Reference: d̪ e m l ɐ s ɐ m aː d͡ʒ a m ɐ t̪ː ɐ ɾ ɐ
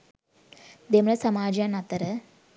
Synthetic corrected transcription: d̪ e m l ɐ s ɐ m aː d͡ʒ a n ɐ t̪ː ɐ ɾ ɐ